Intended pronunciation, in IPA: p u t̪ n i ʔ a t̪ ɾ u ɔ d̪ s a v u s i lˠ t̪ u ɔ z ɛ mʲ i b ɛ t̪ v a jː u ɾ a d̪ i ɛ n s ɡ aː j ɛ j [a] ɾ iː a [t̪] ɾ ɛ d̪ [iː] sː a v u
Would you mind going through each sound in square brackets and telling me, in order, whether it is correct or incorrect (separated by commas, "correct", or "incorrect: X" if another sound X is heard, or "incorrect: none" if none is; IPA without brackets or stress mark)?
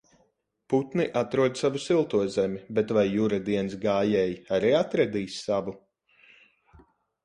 correct, correct, correct